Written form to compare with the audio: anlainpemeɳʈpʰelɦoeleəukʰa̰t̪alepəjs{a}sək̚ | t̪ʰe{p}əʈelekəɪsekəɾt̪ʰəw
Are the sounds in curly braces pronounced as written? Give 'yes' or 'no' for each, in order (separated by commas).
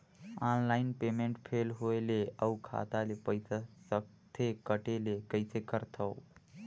yes, no